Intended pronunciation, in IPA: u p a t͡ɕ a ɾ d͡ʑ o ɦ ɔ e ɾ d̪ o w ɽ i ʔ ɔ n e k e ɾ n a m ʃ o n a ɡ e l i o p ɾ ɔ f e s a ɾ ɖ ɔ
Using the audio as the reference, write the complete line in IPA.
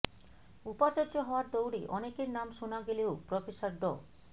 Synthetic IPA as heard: u p a t͡ɕ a ɾ d͡ʑ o ɦ ɔ a ɾ d̪ o w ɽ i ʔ ɔ n e k e ɾ n a m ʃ o n a ɡ e l e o p ɾ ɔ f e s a ɾ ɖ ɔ